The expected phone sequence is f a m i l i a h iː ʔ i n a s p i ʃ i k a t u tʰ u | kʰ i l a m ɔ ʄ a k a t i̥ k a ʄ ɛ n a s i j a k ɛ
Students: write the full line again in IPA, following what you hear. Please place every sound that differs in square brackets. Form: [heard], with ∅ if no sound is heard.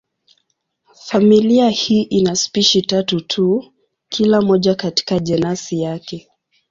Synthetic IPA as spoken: f a m i l i a h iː ʔ i n a s p i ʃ i [t] a t u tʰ u | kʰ i l a m ɔ ʄ a k a t i̥ k a ʄ ɛ n a s i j a k ɛ